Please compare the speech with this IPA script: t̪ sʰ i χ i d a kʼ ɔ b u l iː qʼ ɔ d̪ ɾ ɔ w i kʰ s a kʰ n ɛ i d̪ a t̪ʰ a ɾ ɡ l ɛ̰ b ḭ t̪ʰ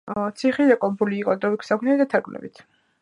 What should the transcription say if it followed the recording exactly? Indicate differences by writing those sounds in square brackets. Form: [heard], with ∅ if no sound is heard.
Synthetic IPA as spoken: t̪ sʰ i χ i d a kʼ ɔ b u l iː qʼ ɔ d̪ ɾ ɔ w i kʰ s a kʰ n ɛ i d̪ a t̪ʰ a ɾ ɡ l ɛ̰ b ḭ t̪ʰ